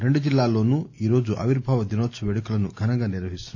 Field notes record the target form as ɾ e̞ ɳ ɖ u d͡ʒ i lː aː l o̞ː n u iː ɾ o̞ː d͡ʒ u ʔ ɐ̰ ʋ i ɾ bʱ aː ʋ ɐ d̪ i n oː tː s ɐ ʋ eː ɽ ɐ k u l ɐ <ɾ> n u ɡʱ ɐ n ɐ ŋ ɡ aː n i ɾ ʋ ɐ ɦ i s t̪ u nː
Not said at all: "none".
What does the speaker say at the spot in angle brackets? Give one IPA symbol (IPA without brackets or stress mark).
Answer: none